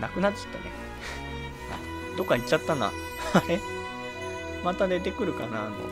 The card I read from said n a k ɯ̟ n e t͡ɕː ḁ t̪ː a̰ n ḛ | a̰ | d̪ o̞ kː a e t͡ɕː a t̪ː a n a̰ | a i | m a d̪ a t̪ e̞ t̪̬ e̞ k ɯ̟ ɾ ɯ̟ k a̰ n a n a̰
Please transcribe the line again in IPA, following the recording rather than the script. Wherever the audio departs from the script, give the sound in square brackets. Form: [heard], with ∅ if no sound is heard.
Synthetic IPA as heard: n a k ɯ̟ n [a] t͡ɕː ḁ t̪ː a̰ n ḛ | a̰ | d̪ o̞ kː a [i] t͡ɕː a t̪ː a n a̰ | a [e] | m a [t̪] a [d̪] e̞ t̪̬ e̞ k ɯ̟ ɾ ɯ̟ k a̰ n a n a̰